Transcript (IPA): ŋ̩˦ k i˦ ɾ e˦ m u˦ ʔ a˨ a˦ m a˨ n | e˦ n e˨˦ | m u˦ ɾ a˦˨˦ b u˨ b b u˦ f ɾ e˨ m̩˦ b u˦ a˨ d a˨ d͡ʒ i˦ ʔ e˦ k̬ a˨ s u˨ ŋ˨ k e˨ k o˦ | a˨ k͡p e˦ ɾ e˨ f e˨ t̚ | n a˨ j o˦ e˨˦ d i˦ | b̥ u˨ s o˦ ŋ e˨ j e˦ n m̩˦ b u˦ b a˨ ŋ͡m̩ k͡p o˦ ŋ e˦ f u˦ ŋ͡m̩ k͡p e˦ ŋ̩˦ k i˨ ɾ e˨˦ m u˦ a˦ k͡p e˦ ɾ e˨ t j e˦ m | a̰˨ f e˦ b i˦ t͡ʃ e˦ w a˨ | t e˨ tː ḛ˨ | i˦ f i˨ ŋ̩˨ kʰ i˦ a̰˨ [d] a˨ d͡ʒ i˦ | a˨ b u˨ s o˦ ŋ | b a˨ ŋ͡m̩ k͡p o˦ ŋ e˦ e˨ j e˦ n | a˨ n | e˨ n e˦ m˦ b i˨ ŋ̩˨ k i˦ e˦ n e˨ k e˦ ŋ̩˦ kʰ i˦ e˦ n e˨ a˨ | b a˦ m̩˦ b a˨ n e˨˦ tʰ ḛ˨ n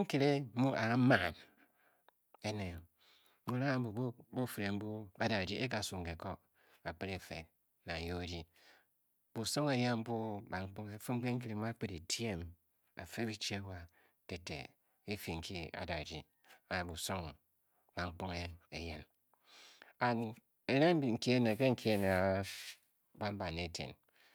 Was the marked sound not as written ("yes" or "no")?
no